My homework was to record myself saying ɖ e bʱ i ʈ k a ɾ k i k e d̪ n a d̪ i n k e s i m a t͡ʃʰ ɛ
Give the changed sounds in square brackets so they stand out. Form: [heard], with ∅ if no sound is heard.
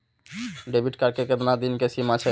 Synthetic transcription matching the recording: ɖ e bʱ i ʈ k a ɾ k [e] k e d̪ n a d̪ i n k e s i m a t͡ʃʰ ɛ